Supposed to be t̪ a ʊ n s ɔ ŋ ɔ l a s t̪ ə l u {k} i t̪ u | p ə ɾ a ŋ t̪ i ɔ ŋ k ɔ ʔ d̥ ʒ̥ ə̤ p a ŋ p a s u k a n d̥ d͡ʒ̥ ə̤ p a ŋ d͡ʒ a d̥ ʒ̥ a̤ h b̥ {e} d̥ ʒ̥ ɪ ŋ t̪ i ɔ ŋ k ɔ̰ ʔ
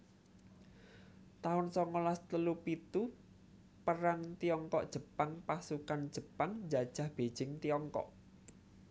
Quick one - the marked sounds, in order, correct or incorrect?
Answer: incorrect: p, correct

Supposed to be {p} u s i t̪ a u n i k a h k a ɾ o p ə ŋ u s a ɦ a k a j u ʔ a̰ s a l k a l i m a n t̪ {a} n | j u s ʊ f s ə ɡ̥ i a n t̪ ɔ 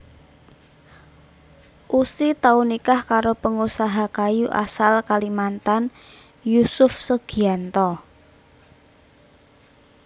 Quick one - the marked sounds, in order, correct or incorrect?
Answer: incorrect: ʔ, correct

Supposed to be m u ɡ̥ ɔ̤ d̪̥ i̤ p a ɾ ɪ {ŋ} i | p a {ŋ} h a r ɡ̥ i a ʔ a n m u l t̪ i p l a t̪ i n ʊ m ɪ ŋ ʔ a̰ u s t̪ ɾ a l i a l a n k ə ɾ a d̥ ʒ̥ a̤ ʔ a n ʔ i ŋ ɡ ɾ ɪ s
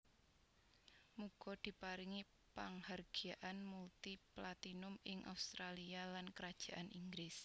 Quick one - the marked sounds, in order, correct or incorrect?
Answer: correct, correct

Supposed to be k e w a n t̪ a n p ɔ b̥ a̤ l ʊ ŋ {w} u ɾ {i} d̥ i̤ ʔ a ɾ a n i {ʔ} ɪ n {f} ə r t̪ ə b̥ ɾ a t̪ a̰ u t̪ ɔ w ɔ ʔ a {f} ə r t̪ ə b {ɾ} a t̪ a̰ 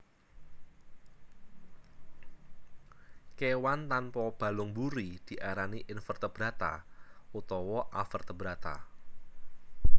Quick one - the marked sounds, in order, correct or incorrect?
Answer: incorrect: b, correct, correct, correct, correct, correct

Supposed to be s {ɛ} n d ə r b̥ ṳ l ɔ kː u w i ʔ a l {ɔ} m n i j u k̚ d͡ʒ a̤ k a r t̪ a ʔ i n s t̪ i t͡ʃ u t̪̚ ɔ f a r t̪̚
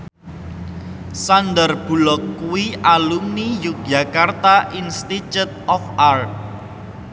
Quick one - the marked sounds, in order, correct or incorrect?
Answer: incorrect: a, incorrect: u

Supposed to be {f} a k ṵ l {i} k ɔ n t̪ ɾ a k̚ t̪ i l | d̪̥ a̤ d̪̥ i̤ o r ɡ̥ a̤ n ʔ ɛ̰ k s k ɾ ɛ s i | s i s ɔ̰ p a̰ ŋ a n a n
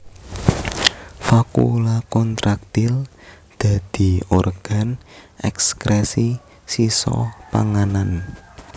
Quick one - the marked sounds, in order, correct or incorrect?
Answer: correct, incorrect: a

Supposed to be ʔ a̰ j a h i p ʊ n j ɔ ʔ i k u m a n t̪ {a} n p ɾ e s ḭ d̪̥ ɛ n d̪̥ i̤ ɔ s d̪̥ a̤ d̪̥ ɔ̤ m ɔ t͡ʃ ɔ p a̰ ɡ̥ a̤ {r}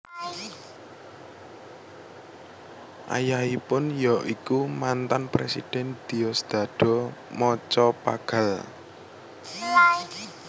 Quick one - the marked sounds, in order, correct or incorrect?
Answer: correct, incorrect: l

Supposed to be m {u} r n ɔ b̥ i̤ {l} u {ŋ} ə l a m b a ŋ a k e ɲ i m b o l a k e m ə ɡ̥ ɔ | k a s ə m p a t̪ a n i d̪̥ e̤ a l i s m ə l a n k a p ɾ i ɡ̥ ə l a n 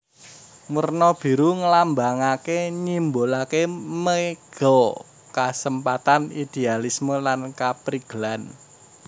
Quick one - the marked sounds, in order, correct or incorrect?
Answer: correct, incorrect: ɾ, correct

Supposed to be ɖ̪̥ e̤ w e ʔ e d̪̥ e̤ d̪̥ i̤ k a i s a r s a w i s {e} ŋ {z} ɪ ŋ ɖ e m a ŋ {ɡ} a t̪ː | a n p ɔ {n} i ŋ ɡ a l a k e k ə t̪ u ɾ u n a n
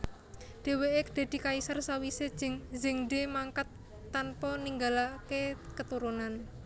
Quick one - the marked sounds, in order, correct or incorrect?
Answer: correct, correct, incorrect: k, correct

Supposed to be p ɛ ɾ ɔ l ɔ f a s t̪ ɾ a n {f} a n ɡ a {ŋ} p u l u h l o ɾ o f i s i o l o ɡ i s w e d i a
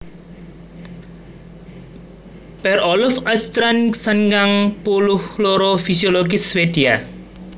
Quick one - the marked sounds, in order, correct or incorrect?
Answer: incorrect: s, correct

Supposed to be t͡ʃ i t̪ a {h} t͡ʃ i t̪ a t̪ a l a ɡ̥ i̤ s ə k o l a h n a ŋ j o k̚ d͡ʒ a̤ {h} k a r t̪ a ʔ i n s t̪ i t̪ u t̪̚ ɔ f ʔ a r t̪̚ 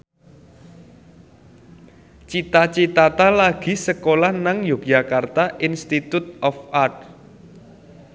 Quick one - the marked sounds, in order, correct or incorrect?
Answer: incorrect: none, incorrect: none

